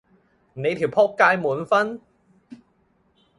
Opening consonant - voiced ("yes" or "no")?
yes